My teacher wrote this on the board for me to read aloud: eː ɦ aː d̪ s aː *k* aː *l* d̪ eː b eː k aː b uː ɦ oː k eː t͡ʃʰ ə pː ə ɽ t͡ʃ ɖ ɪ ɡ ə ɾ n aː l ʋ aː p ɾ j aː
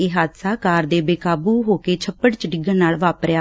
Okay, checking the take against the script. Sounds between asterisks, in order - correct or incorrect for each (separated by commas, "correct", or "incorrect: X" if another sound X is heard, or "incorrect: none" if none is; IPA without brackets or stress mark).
correct, incorrect: ɾ